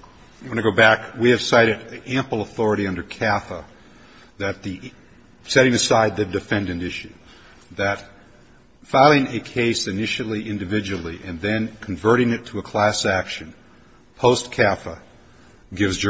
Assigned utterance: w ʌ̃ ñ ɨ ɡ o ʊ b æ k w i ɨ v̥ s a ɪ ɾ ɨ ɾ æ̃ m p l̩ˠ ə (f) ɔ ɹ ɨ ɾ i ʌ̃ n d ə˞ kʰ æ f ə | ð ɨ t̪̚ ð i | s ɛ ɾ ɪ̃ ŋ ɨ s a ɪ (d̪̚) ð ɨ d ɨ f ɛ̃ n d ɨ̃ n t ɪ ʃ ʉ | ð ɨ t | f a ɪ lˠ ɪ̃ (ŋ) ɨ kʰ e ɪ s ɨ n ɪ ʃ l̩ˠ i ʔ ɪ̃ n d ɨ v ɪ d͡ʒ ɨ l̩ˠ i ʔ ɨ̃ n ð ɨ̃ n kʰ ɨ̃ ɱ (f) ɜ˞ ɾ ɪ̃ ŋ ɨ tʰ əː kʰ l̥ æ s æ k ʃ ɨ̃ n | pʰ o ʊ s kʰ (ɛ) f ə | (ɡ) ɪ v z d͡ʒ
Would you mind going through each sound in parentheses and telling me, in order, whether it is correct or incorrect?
incorrect: θ, correct, correct, incorrect: v, incorrect: æ, correct

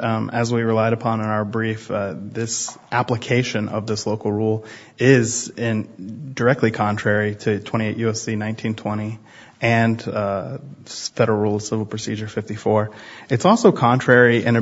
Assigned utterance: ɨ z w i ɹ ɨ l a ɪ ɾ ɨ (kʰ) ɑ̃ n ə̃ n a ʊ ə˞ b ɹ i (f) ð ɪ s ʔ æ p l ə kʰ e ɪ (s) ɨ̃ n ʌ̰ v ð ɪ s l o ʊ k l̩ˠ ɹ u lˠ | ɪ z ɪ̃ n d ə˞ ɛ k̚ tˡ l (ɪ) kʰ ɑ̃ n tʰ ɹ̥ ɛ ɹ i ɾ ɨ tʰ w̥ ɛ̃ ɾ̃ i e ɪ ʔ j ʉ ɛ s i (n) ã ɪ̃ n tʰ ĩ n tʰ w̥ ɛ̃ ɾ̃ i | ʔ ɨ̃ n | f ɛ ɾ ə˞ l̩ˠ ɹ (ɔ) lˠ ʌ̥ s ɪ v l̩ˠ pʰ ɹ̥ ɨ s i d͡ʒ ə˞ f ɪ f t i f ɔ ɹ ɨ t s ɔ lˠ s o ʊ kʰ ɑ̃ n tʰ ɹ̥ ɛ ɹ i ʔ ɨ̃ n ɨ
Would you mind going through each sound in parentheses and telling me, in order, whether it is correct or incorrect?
incorrect: pʰ, correct, incorrect: ʃ, incorrect: i, correct, incorrect: u

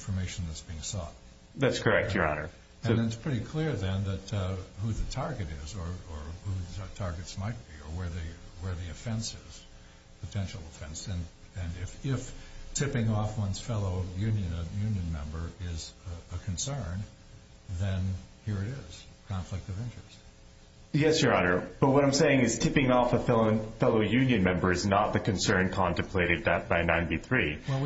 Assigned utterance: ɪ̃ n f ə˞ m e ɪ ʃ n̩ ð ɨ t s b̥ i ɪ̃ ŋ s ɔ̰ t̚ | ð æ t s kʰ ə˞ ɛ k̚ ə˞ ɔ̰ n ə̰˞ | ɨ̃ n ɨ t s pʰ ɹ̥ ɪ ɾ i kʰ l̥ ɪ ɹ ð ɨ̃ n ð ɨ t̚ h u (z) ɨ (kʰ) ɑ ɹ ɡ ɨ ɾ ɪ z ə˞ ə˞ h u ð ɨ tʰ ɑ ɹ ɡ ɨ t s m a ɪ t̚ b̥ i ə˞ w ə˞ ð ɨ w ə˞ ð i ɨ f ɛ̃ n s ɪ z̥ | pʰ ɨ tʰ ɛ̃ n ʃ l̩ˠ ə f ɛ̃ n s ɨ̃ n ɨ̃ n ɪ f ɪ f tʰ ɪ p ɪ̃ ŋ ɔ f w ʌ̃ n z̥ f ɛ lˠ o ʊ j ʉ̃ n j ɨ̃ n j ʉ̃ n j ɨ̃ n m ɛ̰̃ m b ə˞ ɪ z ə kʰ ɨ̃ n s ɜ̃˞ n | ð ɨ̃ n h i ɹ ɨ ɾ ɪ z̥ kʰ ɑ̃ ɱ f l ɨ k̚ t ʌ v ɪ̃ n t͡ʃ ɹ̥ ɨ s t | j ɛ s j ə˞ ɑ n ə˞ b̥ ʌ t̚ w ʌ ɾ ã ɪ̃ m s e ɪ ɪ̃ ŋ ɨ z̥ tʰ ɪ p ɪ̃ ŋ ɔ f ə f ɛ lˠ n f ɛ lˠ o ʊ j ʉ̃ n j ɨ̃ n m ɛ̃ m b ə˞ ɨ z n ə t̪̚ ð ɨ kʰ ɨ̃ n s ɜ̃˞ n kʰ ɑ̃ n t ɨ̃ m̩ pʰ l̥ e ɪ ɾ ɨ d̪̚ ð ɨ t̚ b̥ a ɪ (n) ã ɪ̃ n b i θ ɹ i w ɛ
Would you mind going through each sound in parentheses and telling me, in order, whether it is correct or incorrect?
incorrect: ð, incorrect: tʰ, correct

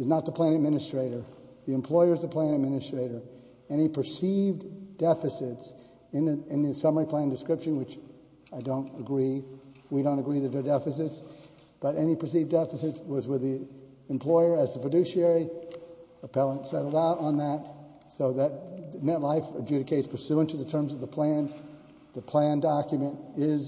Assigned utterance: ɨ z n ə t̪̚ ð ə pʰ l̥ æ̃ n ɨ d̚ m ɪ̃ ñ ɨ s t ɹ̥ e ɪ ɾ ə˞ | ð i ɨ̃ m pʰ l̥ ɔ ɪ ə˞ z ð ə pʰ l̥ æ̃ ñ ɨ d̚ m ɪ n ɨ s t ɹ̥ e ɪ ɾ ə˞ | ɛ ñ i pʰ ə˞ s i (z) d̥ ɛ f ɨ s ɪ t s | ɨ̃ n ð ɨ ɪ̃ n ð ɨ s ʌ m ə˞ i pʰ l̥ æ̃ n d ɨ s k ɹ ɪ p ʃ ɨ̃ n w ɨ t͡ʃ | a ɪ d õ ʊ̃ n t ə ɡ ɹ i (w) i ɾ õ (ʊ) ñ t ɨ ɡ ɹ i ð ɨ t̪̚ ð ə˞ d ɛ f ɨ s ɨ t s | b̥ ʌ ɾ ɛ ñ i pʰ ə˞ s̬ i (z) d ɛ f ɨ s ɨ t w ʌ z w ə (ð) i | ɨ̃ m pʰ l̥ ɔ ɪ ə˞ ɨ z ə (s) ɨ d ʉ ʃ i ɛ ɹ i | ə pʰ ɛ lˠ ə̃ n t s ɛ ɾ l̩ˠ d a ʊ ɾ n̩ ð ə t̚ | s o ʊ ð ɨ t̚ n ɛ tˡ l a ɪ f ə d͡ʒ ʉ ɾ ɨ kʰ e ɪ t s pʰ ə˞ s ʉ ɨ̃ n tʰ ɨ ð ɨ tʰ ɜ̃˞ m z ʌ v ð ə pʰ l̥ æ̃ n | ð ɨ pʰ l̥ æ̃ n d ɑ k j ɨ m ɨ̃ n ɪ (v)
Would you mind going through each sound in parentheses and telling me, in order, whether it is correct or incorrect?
incorrect: v, correct, incorrect: ʊ̃, incorrect: v, correct, incorrect: f, incorrect: z

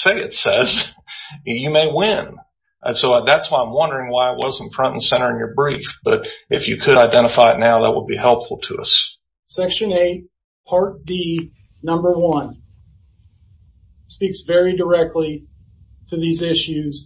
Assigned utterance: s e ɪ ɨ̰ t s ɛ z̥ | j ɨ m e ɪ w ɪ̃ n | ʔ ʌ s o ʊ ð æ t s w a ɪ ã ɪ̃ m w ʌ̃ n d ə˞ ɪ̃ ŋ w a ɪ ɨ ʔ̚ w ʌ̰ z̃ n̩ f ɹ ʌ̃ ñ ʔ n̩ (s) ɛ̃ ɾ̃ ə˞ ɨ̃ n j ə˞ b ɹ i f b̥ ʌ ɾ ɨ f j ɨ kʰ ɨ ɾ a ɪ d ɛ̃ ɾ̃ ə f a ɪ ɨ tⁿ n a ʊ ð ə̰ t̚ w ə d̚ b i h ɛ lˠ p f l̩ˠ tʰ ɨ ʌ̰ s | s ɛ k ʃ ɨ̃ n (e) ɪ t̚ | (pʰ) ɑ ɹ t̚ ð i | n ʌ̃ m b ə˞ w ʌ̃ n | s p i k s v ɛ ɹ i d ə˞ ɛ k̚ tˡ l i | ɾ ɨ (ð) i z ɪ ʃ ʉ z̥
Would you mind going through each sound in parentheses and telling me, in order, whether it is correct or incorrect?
correct, correct, correct, correct

